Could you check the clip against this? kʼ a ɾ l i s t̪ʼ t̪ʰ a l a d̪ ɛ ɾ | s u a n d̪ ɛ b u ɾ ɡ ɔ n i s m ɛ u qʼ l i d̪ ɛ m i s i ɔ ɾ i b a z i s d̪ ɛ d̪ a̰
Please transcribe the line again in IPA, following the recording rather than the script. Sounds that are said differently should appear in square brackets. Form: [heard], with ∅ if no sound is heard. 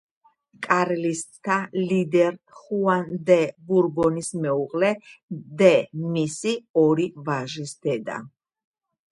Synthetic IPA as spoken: kʼ a ɾ l i s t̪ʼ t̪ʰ a l [i] d̪ ɛ ɾ | [χ] u a n d̪ ɛ b u ɾ ɡ ɔ n i s m ɛ u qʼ l [ɛ] d̪ ɛ m i s i ɔ ɾ i [v] a [ʒ] i s d̪ ɛ d̪ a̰